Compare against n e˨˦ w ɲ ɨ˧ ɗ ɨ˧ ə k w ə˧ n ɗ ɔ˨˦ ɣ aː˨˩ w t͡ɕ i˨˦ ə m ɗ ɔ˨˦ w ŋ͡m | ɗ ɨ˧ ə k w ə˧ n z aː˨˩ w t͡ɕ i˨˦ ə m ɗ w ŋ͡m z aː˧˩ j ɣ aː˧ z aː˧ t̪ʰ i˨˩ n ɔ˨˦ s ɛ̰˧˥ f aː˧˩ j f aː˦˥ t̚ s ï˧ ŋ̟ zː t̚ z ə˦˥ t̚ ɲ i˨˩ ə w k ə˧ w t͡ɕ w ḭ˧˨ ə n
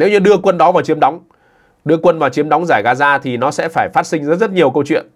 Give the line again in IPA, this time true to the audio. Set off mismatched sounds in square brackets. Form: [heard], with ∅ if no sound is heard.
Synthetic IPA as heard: n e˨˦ w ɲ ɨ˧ ɗ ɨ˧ ə k w ə˧ n ɗ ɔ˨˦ [v] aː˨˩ w t͡ɕ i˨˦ ə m ɗ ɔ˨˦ w ŋ͡m | ɗ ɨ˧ ə k w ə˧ n [v] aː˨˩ w t͡ɕ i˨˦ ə m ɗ w ŋ͡m z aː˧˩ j ɣ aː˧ z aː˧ t̪ʰ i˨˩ n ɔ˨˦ s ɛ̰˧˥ f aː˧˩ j f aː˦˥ t̚ s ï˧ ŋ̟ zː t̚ z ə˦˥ t̚ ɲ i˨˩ ə w k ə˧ w t͡ɕ w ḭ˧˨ ə n

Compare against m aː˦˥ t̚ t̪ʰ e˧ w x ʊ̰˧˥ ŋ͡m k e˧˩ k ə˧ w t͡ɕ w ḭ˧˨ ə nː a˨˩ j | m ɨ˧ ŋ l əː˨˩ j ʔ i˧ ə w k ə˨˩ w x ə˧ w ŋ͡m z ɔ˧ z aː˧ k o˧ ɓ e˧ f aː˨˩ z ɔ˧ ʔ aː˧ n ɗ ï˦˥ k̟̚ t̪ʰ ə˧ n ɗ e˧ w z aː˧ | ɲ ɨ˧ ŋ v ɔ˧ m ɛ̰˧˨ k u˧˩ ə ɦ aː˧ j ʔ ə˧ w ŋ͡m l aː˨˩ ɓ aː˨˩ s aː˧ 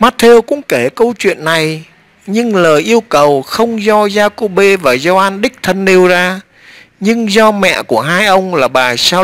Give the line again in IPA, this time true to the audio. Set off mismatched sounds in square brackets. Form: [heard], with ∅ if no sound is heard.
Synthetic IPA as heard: m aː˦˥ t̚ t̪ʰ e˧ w [k] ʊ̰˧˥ ŋ͡m k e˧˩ k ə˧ w t͡ɕ w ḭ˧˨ ə nː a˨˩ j | [ɲ] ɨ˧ ŋ l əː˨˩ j ʔ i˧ ə w k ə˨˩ w x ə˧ w ŋ͡m z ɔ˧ z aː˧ k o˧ ɓ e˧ [v] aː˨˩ z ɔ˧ ʔ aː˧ n ɗ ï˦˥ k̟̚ t̪ʰ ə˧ n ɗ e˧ w z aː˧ | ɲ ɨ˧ ŋ [z] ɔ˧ m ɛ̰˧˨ k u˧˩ ə ɦ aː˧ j ʔ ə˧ w ŋ͡m l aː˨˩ ɓ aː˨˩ s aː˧

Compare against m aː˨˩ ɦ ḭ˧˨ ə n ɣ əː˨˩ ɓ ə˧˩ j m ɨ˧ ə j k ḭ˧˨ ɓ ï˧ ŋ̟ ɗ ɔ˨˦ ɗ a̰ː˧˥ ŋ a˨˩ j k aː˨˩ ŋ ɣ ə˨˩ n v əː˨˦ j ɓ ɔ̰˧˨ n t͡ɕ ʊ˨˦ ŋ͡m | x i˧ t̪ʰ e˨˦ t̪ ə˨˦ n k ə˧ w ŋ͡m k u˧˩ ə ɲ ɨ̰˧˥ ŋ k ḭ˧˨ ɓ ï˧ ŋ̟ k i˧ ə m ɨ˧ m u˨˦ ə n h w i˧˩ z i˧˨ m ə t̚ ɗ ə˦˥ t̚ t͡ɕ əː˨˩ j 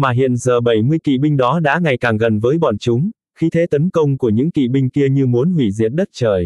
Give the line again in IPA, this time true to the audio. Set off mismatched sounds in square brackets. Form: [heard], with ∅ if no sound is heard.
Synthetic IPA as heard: m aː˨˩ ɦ ḭ˧˨ ə n [z] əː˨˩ ɓ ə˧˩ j m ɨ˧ ə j k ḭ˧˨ ɓ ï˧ ŋ̟ ɗ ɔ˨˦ ɗ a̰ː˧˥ ŋ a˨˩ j k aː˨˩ ŋ ɣ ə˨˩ n v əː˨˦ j ɓ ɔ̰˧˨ n t͡ɕ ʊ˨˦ ŋ͡m | x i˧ t̪ʰ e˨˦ t̪ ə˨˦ n k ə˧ w ŋ͡m k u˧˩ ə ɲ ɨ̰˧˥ ŋ k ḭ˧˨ ɓ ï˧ ŋ̟ k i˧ ə [ɲ] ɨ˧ m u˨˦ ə n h w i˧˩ z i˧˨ [∅] ə t̚ ɗ ə˦˥ t̚ t͡ɕ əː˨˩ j

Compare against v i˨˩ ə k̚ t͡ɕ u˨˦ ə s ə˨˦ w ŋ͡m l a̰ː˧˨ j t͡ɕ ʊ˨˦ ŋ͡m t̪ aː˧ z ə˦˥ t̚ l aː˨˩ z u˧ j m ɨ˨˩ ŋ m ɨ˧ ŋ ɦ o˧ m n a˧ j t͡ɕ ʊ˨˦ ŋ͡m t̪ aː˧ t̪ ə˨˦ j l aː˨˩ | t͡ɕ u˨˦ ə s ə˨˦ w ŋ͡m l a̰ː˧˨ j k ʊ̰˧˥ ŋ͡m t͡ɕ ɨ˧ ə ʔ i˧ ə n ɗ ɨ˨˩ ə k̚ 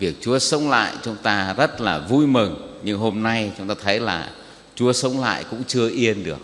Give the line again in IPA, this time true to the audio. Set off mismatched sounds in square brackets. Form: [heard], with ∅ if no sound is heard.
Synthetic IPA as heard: v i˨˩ ə k̚ t͡ɕ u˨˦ ə s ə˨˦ w ŋ͡m l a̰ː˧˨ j t͡ɕ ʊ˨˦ ŋ͡m t̪ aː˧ z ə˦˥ t̚ l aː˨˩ [v] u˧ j m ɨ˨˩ ŋ [ɲ] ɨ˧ ŋ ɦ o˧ m n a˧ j t͡ɕ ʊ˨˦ ŋ͡m t̪ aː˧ [t̪ʰ] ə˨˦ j l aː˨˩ | t͡ɕ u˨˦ ə s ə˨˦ w ŋ͡m l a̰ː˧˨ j k ʊ̰˧˥ ŋ͡m t͡ɕ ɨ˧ ə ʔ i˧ ə n ɗ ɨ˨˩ ə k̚

